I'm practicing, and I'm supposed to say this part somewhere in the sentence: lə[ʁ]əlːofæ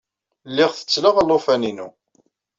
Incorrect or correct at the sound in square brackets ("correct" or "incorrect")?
correct